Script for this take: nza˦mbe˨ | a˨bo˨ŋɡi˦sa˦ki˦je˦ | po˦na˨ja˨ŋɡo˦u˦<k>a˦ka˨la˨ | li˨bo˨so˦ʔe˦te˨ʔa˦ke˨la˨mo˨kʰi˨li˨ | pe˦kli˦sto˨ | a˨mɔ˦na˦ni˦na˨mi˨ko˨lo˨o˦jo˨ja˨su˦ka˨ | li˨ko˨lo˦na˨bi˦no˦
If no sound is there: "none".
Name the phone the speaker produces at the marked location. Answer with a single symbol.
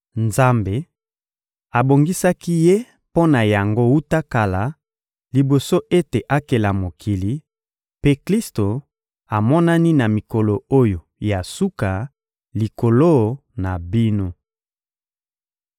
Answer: t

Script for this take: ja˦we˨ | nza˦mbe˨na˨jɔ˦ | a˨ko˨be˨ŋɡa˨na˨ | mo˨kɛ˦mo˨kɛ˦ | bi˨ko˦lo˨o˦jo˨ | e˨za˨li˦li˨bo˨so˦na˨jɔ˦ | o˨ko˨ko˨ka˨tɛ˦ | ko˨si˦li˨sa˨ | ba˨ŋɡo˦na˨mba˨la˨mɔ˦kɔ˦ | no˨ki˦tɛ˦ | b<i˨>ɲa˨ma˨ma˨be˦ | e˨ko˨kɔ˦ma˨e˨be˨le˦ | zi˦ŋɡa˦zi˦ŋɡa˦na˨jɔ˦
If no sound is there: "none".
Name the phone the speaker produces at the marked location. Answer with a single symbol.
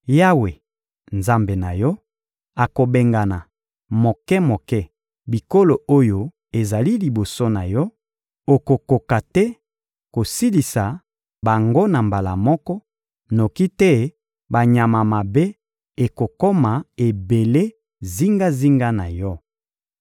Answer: a˨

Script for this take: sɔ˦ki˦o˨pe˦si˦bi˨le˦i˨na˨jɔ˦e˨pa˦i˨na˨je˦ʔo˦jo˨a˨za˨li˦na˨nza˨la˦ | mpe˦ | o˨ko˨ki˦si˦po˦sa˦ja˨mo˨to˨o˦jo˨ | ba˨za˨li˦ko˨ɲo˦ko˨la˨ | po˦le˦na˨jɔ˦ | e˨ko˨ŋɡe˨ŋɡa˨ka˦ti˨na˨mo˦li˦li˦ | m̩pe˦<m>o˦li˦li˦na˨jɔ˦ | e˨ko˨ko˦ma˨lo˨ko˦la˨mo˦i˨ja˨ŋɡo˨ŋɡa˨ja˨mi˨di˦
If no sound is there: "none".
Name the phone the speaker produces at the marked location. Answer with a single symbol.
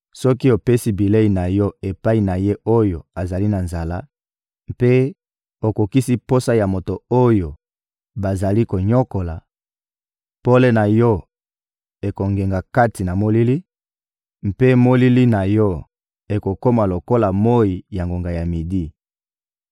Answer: m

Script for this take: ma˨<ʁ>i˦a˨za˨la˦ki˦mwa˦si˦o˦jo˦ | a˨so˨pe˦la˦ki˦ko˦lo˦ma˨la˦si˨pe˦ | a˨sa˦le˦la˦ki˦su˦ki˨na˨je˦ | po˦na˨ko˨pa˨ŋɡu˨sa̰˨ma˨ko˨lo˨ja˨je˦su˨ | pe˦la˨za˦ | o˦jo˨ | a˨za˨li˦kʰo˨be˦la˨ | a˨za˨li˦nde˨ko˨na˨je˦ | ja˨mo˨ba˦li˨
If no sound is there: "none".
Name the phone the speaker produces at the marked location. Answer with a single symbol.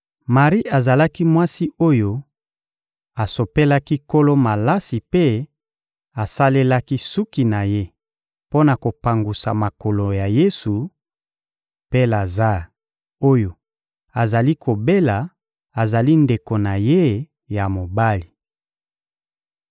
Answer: ʁ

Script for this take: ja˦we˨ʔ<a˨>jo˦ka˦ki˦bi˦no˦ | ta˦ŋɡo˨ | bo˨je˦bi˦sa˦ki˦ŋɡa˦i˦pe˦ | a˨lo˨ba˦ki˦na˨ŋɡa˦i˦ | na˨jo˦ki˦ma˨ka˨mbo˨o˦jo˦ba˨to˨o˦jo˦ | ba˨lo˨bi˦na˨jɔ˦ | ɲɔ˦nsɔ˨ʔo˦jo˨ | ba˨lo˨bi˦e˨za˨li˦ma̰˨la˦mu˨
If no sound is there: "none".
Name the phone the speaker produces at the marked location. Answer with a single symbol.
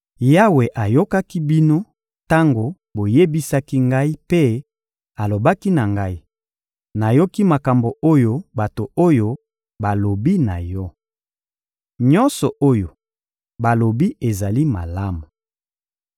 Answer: a˨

